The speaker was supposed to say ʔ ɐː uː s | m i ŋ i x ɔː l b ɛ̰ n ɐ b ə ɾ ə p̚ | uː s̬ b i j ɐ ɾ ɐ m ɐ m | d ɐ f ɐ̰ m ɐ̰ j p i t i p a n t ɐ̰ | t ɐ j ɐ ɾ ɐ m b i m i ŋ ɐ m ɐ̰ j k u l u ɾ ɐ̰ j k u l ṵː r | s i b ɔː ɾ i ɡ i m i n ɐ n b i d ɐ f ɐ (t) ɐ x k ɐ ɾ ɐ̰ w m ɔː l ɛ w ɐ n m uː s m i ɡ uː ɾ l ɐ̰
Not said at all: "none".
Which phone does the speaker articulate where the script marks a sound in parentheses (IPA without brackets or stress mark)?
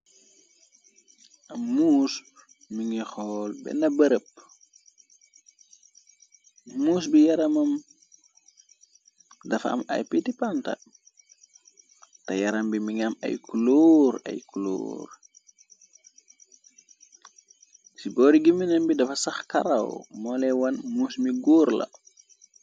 s